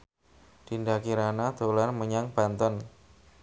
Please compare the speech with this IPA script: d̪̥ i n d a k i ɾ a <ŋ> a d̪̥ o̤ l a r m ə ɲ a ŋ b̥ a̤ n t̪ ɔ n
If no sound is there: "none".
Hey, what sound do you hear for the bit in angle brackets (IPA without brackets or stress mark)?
n